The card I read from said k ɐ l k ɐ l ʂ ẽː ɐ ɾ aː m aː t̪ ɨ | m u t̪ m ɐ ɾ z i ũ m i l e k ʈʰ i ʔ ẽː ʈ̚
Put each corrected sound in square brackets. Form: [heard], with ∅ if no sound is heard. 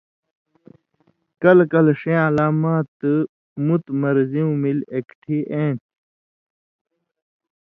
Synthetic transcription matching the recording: k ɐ l k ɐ l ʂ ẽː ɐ [l] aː m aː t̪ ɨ | m u t̪ m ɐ ɾ z i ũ m i l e k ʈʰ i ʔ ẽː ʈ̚